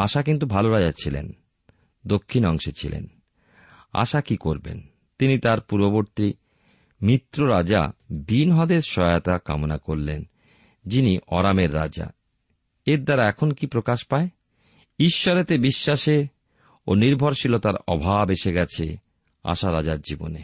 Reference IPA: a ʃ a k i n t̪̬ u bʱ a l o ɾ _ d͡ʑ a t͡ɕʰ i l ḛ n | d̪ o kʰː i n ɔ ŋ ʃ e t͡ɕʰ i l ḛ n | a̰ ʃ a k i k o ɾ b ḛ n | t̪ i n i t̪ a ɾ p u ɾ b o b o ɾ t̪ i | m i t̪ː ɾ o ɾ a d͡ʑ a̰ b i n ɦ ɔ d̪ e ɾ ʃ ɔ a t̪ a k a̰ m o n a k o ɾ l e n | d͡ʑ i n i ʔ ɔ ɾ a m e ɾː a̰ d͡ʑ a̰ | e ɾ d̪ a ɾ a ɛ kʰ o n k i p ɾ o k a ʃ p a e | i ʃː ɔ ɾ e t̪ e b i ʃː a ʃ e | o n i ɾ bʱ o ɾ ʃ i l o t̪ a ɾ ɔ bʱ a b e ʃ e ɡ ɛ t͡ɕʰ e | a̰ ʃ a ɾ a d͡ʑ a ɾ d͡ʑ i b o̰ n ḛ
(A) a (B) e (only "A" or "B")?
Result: A